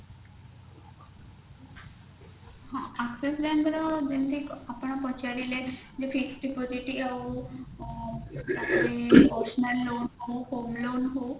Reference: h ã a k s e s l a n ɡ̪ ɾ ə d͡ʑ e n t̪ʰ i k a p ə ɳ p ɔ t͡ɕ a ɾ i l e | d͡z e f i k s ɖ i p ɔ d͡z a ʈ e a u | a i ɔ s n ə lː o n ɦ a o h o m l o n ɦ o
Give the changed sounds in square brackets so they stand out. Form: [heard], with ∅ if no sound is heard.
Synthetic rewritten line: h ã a k s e s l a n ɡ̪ ɾ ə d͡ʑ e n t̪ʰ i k a p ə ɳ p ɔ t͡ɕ a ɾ i l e | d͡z e f i k s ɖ i p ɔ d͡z [i] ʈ [i] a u | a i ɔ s n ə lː o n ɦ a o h o m l o n ɦ o

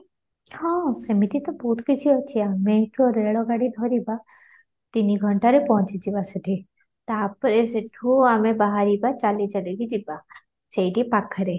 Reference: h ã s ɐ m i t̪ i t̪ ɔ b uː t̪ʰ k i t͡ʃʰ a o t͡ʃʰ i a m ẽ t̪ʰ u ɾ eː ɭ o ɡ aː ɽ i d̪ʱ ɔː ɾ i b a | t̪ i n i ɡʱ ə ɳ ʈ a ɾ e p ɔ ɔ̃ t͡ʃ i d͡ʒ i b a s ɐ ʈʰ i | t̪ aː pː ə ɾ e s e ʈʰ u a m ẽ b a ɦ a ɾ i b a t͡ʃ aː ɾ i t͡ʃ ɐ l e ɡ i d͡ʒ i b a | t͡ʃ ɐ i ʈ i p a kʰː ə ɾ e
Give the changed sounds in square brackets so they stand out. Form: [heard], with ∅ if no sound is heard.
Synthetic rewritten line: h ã s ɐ m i t̪ i t̪ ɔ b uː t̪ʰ k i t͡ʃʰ [i] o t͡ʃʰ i a m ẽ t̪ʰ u ɾ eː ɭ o ɡ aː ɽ i d̪ʱ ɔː ɾ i b a | t̪ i n i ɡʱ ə ɳ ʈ a ɾ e p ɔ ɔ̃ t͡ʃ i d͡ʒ i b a s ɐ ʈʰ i | t̪ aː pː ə ɾ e s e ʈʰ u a m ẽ b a ɦ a ɾ i b a t͡ʃ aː [l] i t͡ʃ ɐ l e ɡ i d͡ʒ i b a | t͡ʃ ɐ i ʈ i p a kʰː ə ɾ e

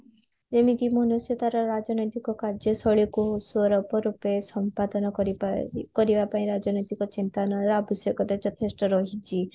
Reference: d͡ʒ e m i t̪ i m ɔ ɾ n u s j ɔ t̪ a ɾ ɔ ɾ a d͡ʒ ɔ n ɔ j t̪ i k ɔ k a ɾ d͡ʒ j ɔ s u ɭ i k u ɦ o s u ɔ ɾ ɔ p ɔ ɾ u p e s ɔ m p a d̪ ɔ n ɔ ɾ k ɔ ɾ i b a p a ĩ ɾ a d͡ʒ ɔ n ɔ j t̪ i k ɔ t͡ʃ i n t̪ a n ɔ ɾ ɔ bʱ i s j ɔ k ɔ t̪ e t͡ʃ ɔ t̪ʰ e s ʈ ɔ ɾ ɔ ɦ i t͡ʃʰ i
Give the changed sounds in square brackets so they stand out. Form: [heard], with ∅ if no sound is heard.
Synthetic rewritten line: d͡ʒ e m i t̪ i m ɔ [∅] n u s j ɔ t̪ a ɾ ɔ ɾ a d͡ʒ ɔ n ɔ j t̪ i k ɔ k a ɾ d͡ʒ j ɔ s [ɔ] ɭ i k u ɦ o s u ɔ ɾ ɔ p ɔ ɾ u p e s ɔ m p a d̪ ɔ n ɔ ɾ k ɔ ɾ i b a p a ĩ ɾ a d͡ʒ ɔ n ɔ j t̪ i k ɔ t͡ʃ i n t̪ a n ɔ ɾ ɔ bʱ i s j ɔ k ɔ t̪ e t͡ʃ ɔ t̪ʰ e s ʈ ɔ ɾ ɔ ɦ i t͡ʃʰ i

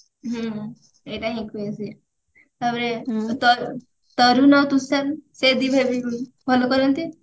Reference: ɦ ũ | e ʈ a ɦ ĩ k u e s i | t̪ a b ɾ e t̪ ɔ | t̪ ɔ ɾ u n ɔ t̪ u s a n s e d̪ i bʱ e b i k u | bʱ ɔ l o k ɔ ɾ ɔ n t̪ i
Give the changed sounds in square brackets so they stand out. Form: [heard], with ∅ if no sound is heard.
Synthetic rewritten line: ɦ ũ | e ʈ a ɦ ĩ k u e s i | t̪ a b ɾ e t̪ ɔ | t̪ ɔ ɾ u n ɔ t̪ u s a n s e d̪ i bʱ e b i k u | bʱ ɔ l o k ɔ ɾ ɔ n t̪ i

